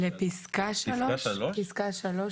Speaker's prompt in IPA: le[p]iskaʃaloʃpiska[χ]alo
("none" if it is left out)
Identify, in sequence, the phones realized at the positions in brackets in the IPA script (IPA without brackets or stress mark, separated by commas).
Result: p, ʃ